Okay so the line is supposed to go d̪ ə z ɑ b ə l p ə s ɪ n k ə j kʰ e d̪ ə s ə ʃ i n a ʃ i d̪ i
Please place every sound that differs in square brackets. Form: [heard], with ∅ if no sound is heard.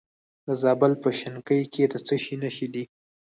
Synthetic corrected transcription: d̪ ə z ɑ b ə l p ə [ʃ] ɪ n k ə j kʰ e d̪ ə [t͡s] ə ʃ i n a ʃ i d̪ i